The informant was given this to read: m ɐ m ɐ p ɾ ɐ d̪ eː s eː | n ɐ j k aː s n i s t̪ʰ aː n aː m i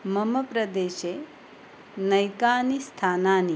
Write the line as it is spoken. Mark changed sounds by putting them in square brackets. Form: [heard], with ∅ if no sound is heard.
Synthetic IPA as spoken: m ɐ m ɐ p ɾ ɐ d̪ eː [ʃ] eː | n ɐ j k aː [∅] n i s t̪ʰ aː n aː [n] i